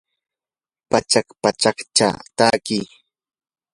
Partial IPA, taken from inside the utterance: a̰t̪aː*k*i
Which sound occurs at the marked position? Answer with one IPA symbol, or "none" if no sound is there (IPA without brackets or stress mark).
k